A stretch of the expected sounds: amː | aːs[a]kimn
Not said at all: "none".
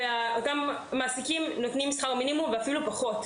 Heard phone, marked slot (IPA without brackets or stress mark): i